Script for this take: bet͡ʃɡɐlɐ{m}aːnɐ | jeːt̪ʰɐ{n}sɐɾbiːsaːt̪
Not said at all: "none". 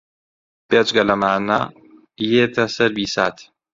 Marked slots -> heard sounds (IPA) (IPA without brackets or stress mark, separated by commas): m, none